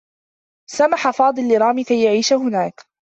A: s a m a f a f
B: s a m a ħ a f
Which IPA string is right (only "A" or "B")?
B